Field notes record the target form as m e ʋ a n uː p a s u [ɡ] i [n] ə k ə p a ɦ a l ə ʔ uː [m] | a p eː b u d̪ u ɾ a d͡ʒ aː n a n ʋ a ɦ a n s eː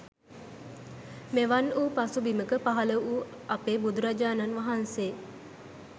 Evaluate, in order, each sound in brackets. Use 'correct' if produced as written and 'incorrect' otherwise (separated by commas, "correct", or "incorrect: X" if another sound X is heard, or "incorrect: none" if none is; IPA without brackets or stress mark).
incorrect: b, incorrect: m, incorrect: none